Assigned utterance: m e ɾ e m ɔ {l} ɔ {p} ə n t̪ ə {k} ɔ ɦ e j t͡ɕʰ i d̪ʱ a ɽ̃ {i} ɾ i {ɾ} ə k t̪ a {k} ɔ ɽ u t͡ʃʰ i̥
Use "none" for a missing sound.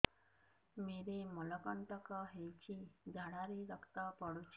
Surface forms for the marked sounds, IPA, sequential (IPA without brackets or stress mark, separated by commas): l, k, k, a, ɾ, p